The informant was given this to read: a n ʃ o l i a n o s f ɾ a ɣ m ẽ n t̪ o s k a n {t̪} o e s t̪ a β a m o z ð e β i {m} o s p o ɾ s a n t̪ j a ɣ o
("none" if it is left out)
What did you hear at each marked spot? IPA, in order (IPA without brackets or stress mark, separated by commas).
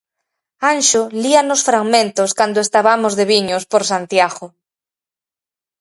d̪, ɲ